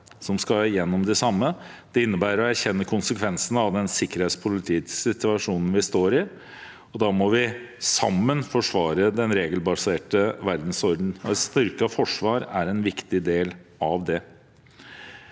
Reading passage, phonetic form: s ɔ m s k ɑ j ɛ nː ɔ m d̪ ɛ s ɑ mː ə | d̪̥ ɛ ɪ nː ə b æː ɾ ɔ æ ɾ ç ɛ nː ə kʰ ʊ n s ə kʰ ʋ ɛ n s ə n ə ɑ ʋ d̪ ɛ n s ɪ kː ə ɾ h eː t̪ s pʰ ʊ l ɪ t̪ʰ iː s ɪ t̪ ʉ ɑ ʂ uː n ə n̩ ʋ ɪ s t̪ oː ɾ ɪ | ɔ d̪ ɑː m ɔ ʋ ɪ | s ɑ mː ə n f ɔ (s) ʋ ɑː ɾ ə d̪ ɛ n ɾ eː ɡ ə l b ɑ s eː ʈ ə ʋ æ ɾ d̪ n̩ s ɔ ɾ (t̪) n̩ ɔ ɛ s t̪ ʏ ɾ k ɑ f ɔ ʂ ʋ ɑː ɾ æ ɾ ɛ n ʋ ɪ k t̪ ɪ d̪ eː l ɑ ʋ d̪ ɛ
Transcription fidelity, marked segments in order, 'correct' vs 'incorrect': incorrect: ʂ, incorrect: d̪

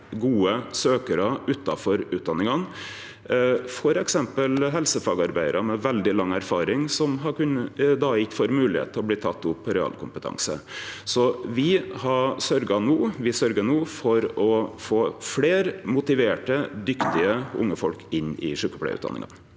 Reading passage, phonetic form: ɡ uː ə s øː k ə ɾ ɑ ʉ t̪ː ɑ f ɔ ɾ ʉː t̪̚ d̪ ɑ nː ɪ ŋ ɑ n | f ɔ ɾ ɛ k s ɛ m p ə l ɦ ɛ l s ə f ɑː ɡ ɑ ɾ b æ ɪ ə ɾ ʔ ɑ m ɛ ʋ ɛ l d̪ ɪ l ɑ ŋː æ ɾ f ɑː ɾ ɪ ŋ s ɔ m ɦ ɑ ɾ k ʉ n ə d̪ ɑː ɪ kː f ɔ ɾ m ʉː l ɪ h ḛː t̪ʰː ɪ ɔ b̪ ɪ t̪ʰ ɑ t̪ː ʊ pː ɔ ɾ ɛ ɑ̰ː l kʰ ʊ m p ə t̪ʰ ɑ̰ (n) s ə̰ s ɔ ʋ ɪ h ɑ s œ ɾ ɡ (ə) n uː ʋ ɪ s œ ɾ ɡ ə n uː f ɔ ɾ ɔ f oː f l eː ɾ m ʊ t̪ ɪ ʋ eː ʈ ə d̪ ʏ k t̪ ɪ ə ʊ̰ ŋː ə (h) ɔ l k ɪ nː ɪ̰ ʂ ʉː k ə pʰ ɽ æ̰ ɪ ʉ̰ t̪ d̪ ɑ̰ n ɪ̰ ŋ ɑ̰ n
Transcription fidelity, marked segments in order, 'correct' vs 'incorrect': incorrect: ŋ, incorrect: ɑ, incorrect: f

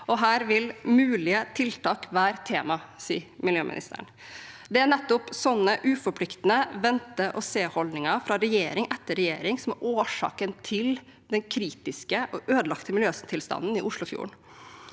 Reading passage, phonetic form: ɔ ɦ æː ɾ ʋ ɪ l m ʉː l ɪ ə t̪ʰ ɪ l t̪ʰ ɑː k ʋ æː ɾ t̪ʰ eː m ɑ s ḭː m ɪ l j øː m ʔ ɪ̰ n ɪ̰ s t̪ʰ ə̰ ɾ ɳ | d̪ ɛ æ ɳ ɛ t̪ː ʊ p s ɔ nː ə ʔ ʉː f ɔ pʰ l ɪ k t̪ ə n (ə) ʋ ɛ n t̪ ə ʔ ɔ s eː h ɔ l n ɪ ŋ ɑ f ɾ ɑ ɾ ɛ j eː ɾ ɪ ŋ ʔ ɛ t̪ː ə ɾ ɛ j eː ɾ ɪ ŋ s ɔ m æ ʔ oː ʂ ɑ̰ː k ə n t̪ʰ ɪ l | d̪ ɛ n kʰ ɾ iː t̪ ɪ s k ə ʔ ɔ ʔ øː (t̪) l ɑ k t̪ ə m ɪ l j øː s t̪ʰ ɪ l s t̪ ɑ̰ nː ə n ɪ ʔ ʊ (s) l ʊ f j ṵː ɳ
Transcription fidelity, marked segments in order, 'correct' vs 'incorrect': correct, incorrect: d̪, incorrect: ʂ

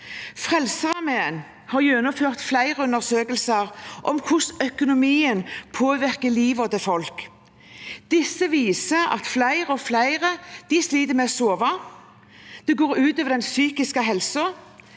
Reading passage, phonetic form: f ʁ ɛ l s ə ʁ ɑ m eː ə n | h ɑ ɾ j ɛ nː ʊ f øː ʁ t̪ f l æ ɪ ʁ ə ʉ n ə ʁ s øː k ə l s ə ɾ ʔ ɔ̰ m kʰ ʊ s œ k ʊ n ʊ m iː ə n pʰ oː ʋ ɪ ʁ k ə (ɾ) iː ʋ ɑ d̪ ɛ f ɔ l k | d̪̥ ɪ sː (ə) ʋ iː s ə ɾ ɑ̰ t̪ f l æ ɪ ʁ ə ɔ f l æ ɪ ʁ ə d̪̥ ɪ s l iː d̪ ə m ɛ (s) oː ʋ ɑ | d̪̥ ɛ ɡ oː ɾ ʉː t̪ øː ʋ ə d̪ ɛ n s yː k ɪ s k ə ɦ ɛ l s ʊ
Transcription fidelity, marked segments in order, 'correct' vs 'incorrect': incorrect: l, correct, correct

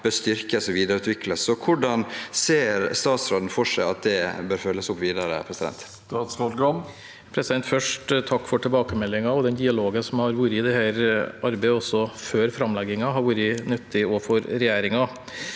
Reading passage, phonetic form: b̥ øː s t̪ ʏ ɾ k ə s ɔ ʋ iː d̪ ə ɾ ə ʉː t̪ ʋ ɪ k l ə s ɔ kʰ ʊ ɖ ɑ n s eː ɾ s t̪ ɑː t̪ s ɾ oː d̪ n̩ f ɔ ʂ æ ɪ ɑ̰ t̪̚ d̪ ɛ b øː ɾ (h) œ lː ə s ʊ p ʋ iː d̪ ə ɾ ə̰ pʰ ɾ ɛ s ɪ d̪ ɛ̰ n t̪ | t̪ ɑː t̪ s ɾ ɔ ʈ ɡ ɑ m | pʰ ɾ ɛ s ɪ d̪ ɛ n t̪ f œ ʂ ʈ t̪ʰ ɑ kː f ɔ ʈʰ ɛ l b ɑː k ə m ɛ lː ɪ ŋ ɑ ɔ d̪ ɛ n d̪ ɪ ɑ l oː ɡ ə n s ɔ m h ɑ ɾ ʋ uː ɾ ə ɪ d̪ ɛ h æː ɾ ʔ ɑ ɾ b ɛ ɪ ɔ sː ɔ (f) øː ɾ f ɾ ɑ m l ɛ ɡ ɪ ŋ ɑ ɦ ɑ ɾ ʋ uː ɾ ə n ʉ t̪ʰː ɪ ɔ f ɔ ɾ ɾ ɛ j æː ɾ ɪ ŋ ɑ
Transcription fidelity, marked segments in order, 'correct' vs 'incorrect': incorrect: f, correct

